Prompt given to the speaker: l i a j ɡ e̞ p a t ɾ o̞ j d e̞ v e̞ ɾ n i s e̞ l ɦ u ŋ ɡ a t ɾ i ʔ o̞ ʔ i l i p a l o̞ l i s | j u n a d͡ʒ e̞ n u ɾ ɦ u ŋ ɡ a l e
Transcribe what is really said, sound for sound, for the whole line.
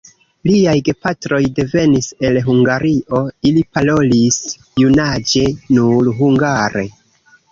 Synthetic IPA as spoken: l i a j ɡ e̞ p a t ɾ o̞ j d e̞ v e̞ n i s e̞ l ɦ u ŋ ɡ a ɾ i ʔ o̞ i l i p a l o̞ l i s | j u n a d͡ʒ e̞ n u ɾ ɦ u ŋ ɡ a ɾ e